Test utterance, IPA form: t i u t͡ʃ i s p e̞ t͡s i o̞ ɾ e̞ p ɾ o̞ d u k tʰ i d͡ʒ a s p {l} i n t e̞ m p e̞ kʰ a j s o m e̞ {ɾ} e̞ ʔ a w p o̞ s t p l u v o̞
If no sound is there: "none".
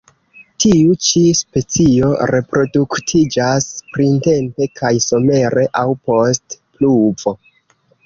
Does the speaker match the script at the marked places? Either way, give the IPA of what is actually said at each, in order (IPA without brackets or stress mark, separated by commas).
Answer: ɾ, ɾ